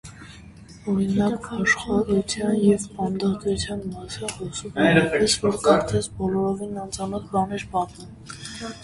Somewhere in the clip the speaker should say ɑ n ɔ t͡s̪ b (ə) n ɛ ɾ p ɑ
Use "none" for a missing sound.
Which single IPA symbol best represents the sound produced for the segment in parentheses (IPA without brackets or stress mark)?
ɑ